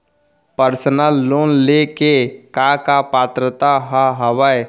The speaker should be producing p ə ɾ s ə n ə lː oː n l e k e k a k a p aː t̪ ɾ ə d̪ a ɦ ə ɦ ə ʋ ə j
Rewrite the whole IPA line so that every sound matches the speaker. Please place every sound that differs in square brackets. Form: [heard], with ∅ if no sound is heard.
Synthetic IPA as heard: p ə ɾ s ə n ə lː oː n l e k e k a k a p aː t̪ ɾ ə [t̪] a ɦ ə ɦ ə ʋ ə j